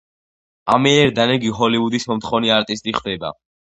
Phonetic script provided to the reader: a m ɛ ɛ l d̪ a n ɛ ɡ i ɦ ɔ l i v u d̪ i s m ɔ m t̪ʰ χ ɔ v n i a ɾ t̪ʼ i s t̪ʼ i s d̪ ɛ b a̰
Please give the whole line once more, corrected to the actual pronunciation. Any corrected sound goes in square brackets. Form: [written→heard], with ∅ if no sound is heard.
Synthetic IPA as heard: a m ɛ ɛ [l→ɾ] d̪ a n ɛ ɡ i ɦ ɔ l i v u d̪ i s m ɔ m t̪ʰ χ ɔ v n i a ɾ t̪ʼ i s t̪ʼ i [s→χ] d̪ ɛ b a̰